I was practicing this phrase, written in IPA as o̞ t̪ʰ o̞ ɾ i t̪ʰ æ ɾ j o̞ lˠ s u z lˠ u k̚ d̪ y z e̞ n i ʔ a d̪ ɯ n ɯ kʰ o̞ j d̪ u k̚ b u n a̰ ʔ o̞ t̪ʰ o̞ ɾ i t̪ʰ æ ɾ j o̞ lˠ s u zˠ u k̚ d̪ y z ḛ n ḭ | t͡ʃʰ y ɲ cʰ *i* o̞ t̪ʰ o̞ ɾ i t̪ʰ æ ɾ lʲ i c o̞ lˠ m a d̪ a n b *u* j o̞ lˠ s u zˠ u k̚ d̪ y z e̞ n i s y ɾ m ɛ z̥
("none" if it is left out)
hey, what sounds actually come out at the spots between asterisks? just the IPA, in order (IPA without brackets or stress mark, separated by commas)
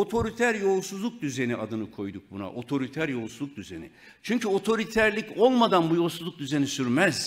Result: y, u